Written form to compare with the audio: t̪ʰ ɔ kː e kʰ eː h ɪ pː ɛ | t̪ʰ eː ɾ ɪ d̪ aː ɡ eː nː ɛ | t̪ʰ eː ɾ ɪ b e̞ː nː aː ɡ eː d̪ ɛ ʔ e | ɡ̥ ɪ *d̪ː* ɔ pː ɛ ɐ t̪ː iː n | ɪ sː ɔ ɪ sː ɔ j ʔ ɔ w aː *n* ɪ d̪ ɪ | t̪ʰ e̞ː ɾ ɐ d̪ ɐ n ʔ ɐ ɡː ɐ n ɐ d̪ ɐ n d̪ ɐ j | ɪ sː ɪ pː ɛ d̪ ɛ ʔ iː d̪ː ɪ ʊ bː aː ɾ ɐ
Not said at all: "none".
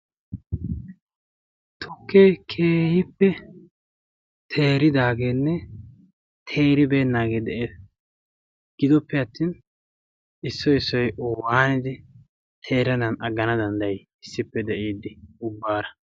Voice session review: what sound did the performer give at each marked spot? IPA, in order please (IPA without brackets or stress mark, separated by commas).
d̪, n